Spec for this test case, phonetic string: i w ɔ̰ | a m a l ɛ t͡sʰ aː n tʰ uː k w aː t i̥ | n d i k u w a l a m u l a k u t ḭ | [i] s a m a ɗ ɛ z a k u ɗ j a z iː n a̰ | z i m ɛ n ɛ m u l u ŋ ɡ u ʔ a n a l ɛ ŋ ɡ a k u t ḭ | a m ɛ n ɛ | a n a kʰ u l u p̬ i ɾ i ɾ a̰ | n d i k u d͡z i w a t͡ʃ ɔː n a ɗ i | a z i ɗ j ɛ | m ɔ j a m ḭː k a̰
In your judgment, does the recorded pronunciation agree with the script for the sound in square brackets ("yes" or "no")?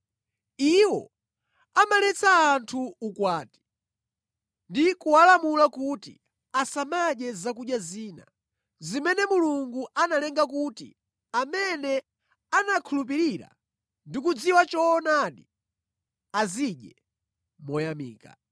no